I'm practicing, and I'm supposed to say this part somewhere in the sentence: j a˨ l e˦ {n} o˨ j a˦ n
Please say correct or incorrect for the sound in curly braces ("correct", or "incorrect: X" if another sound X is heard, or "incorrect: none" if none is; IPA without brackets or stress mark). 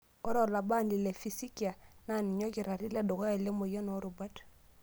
incorrect: m